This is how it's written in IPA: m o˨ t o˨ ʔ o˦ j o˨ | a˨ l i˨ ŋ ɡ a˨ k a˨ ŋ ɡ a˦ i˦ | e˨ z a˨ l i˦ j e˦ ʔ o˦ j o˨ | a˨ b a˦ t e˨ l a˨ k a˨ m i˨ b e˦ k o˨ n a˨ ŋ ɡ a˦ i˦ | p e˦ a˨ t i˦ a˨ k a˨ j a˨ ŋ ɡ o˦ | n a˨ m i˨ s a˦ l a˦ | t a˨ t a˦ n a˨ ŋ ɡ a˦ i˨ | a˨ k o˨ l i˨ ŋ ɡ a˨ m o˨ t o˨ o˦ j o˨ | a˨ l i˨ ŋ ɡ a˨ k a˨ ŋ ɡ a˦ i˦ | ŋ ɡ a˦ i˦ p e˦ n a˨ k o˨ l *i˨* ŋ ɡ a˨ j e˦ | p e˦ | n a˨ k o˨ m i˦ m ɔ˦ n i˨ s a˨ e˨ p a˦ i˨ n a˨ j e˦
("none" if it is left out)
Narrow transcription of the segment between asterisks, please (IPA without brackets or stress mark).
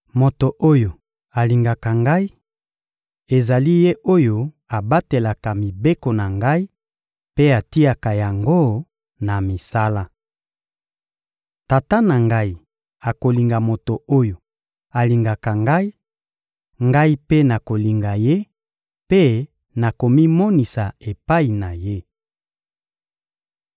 i˨